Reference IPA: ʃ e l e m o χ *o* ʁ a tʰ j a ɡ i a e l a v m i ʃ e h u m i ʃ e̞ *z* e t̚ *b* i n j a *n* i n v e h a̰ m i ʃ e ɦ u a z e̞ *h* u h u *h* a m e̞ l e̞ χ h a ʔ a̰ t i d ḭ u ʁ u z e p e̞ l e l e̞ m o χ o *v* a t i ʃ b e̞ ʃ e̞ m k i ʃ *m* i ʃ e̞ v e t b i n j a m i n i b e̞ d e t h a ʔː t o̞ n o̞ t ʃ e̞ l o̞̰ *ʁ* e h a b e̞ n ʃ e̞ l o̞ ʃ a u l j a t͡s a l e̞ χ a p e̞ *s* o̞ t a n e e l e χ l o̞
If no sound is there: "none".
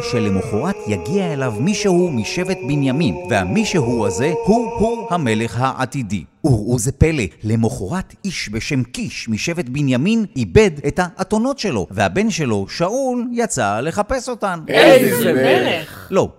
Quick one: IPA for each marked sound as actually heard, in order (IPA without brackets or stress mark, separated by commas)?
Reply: o, v, b, m, h, h, ʁ, m, v, s